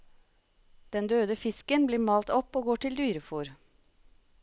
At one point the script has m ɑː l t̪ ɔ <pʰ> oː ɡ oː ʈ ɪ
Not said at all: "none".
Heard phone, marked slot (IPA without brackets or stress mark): p